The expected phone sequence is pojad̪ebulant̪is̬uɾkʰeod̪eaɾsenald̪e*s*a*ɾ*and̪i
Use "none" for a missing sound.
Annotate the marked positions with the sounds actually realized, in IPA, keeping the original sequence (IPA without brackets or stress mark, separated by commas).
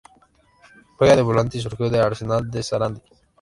s, ɾ